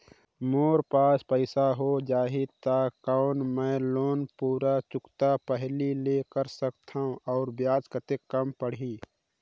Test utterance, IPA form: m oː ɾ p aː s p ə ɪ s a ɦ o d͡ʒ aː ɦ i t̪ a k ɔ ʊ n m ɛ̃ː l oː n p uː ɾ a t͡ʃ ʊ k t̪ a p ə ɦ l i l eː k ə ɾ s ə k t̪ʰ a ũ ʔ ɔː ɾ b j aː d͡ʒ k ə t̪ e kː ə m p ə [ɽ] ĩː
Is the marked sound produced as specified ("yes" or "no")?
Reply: yes